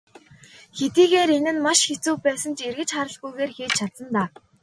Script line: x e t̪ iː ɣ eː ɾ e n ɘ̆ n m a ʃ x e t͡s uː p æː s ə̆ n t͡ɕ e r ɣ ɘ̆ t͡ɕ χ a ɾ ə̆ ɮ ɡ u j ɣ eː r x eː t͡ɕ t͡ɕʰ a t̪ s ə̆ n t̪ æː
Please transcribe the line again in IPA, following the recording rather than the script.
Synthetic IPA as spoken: x e t̪ iː ɣ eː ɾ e n ɘ̆ n m a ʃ x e t͡s uː p æː s ə̆ n t͡ɕ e r ɣ ɘ̆ t͡ɕ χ a ɾ ə̆ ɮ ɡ u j ɣ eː r x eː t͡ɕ t͡ɕʰ a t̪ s ə̆ n t̪ aː